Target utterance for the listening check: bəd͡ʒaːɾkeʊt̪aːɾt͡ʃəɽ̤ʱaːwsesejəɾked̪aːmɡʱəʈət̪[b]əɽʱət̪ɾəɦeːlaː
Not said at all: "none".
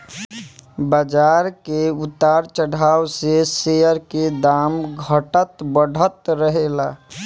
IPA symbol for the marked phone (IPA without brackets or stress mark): b